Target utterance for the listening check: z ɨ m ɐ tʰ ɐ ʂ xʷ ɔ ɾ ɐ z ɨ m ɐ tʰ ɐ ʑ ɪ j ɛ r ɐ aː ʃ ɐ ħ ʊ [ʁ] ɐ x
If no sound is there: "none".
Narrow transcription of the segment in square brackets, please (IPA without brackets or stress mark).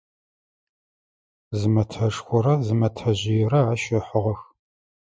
ʁ